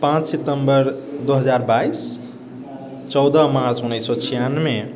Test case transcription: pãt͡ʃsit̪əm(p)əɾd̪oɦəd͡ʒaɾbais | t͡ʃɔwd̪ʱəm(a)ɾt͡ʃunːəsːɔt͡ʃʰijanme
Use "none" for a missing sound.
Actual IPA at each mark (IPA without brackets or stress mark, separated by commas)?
b, a